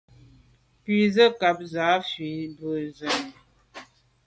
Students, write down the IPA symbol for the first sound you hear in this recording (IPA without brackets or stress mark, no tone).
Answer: p